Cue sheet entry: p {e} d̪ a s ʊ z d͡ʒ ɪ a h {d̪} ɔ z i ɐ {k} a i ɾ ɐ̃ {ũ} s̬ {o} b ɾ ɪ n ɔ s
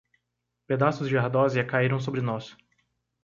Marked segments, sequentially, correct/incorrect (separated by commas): correct, correct, correct, incorrect, correct